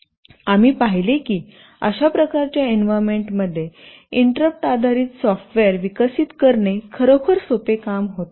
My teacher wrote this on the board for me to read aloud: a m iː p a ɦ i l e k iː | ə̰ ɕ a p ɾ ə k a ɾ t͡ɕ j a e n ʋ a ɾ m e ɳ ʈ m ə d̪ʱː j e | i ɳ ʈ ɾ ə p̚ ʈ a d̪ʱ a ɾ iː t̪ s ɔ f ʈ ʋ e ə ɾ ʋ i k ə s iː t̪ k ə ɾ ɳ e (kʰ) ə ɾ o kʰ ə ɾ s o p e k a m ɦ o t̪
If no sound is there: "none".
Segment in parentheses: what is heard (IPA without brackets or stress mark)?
kʰ